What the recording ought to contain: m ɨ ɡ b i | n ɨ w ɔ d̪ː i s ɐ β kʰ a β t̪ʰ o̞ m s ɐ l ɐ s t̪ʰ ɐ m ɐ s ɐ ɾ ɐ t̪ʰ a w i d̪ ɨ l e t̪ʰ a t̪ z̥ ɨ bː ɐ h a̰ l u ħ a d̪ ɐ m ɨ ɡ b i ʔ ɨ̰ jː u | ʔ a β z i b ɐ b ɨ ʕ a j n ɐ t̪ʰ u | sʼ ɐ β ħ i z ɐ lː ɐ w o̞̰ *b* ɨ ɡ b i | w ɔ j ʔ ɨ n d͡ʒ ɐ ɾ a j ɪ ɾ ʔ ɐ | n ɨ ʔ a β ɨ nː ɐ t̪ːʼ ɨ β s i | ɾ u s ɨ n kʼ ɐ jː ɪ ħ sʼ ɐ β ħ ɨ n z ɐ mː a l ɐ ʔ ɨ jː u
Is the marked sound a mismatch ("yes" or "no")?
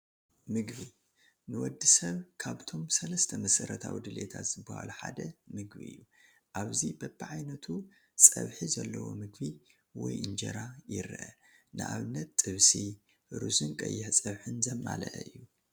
yes